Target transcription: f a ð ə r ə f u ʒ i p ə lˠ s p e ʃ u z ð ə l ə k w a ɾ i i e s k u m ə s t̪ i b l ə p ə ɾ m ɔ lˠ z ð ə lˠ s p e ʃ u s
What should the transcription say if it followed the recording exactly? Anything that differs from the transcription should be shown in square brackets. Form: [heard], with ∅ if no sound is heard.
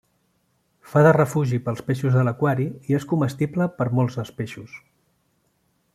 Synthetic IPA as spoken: f a ð ə r ə f u ʒ i p ə lˠ s p e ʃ u z ð ə l ə k w a ɾ i i e s k u m ə s t̪ i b l ə p ə ɾ m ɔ lˠ z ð ə lˠ s p e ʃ u s